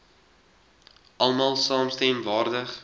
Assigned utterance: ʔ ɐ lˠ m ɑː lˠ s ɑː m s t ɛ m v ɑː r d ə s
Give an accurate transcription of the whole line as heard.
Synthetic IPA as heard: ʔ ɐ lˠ m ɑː lˠ s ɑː m s t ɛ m v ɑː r d ə χ